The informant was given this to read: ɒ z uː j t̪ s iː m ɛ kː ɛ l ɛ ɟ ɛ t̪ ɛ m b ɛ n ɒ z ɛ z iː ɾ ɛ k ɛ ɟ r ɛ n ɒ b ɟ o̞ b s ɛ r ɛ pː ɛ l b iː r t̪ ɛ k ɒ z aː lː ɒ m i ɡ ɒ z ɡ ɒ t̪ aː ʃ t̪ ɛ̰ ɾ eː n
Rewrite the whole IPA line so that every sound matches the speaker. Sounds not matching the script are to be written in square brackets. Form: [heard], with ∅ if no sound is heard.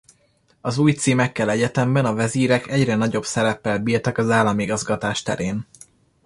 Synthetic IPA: ɒ z uː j t̪ s iː m ɛ kː ɛ l ɛ ɟ ɛ t̪ ɛ m b ɛ n ɒ [v] ɛ z iː ɾ ɛ k ɛ ɟ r ɛ n ɒ [∅] ɟ o̞ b s ɛ [ɾ] ɛ pː ɛ l b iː r t̪ ɛ k ɒ z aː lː ɒ m i ɡ ɒ z ɡ ɒ t̪ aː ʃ t̪ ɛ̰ ɾ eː n